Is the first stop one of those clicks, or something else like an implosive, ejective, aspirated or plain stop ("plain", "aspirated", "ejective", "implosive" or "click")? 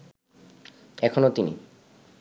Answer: aspirated